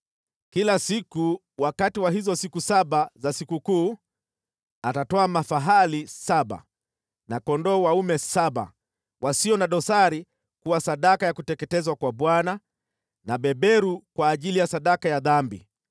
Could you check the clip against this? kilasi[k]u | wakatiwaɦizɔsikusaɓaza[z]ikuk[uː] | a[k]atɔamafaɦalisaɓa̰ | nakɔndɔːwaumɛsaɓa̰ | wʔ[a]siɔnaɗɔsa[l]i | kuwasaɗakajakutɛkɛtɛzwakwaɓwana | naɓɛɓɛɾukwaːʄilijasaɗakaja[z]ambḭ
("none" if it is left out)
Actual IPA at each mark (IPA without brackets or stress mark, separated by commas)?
k, s, uː, t, a, ɾ, ð